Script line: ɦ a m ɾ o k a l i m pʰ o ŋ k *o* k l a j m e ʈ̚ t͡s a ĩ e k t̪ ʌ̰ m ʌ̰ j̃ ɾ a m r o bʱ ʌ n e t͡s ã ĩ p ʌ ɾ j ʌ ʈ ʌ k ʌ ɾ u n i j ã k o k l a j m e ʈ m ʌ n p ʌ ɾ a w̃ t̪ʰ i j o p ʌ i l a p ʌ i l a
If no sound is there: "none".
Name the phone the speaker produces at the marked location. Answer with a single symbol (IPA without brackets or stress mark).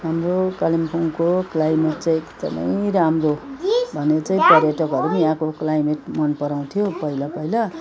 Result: o